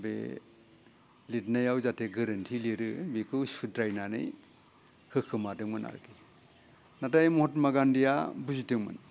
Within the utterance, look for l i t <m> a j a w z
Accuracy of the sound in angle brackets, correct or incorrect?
incorrect